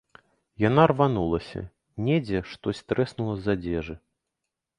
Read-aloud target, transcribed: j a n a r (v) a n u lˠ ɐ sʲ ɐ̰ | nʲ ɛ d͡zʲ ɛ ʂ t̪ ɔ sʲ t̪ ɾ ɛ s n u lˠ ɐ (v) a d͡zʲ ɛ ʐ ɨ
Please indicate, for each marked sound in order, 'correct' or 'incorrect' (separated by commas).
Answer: correct, incorrect